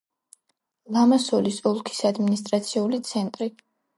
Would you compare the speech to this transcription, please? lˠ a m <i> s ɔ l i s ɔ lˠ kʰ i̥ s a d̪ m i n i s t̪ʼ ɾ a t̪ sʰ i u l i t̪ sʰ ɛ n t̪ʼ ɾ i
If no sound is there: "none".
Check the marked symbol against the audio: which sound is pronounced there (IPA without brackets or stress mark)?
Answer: a